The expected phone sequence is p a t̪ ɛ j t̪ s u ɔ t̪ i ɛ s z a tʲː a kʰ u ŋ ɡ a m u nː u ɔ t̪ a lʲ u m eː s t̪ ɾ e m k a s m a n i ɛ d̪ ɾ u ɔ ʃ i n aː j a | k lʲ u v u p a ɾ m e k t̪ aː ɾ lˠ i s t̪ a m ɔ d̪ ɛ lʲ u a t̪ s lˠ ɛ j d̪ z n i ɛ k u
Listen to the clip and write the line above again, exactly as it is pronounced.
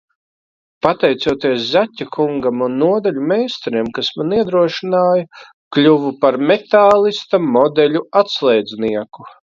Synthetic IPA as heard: p a t̪ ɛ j t̪ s u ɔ t̪ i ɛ s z a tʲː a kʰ u ŋ ɡ a m u nː u ɔ d̪ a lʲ u m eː s t̪ ɾ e m k a s m a n i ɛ d̪ ɾ u ɔ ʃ i n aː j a | k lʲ u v u p a ɾ m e t̪ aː lˠ i s t̪ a m ɔ d̪ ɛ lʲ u a t̪ s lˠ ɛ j d̪ z n i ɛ k u